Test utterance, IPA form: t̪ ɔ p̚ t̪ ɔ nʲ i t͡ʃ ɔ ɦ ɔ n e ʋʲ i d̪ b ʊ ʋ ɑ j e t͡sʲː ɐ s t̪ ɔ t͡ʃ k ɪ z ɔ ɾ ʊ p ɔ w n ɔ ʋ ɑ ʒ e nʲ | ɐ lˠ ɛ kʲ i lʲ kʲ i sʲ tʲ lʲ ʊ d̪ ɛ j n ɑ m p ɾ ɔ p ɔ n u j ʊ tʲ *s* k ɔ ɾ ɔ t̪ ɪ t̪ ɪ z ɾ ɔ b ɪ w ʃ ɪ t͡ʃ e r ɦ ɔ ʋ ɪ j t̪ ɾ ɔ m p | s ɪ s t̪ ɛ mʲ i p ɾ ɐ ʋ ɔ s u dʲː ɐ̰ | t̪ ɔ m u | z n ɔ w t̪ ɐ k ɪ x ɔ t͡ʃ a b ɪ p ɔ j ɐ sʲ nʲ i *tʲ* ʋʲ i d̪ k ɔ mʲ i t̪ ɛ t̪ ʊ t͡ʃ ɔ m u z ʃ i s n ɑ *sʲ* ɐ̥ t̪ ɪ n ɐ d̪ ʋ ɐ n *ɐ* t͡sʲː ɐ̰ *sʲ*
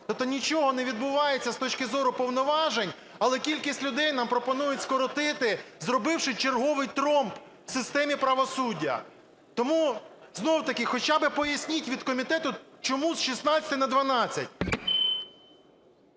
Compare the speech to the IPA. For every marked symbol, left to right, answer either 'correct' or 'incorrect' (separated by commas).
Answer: correct, correct, incorrect, incorrect, incorrect